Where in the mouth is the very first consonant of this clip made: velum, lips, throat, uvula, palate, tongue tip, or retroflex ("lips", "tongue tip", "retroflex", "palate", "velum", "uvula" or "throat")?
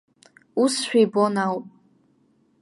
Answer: tongue tip